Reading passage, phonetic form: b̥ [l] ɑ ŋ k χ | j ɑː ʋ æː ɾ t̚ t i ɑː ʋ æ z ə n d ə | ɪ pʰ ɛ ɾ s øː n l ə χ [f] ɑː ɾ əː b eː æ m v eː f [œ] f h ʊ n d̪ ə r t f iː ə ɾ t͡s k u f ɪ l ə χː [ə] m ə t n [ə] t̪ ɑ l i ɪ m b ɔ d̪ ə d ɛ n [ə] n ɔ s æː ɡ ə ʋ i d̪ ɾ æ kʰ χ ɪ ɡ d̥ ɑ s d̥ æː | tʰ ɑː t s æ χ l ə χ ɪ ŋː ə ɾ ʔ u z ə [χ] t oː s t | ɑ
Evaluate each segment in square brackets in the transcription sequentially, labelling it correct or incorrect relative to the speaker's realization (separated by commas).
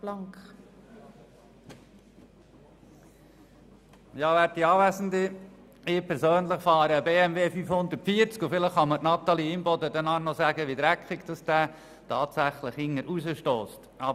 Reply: correct, correct, incorrect, incorrect, incorrect, incorrect, incorrect